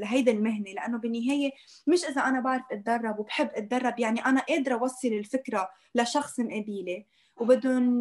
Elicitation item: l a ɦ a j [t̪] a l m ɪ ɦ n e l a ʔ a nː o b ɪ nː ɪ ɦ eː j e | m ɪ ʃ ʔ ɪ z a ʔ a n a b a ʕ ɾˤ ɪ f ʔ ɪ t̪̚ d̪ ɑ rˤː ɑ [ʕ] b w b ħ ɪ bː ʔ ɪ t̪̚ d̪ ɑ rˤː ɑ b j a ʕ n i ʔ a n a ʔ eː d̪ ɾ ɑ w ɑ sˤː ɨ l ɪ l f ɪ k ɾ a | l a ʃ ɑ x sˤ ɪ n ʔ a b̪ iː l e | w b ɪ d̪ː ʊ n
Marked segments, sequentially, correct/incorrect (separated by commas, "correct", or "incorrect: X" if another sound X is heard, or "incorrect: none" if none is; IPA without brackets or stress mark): incorrect: d̪, incorrect: none